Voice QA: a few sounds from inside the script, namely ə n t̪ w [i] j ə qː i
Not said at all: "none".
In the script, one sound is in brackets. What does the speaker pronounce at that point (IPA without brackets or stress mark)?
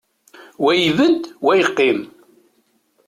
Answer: æ